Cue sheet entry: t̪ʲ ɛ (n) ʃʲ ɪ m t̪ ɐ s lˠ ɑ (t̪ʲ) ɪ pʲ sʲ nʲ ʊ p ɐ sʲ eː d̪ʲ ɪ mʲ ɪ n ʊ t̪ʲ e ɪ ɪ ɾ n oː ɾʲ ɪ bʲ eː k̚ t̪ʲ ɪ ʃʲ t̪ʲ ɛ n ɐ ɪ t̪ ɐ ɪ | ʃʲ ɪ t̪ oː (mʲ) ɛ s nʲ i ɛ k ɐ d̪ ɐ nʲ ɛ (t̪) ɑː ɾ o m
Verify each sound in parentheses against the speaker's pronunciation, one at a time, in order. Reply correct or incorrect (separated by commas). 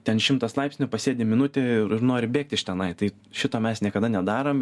correct, incorrect, correct, incorrect